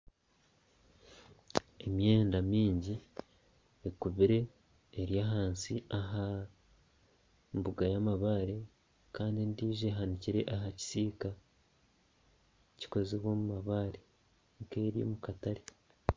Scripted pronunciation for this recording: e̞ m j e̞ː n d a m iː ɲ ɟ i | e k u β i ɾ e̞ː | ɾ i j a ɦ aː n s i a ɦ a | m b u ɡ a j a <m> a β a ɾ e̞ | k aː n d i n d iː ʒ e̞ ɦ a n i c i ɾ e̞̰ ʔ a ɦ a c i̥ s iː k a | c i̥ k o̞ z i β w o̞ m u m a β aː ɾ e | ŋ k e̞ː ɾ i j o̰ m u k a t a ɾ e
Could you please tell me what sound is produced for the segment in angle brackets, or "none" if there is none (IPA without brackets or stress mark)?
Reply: m